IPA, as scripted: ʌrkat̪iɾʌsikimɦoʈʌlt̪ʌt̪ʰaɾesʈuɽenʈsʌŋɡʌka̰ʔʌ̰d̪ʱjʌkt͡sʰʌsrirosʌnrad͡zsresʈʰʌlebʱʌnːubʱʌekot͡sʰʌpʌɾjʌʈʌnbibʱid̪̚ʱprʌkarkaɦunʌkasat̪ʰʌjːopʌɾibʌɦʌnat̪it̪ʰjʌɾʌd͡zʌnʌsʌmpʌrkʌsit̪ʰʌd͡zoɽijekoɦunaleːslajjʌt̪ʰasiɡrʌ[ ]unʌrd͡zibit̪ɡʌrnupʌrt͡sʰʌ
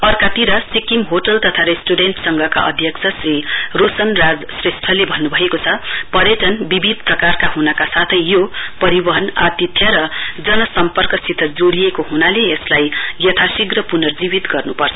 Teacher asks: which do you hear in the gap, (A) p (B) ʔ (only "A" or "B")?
A